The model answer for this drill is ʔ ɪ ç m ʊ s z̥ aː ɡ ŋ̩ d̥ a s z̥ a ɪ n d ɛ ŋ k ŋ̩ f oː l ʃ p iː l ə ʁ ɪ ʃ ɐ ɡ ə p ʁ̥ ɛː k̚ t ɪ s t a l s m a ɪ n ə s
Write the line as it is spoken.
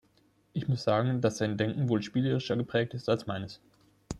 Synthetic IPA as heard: ʔ ɪ ç m ʊ s z̥ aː ɡ ŋ̩ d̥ a s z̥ a ɪ n d ɛ ŋ k ŋ̩ v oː l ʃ p iː l ə ʁ ɪ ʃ ɐ ɡ ə p ʁ̥ ɛː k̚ t ɪ s t a l s m a ɪ n ə s

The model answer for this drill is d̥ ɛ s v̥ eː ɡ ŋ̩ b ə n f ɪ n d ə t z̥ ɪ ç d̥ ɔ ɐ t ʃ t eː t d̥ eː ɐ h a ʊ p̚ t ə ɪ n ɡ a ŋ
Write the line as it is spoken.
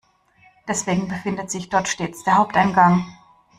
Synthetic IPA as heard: d̥ ɛ s v̥ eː ɡ ŋ̩ b ə f ɪ n d ə t z̥ ɪ ç d̥ ɔ ɐ t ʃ t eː t͡s d̥ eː ɐ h a ʊ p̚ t a ɪ n ɡ a ŋ

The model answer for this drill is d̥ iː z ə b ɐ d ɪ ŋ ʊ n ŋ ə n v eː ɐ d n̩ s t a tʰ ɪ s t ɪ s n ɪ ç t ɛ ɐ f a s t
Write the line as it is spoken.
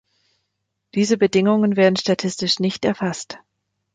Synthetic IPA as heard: d̥ iː z ə b ə d ɪ ŋ ʊ ŋ ə n v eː ɐ d n̩ ʃ t a tʰ ɪ s t ɪ ʃ n ɪ ç t ɛ ɐ f a s t

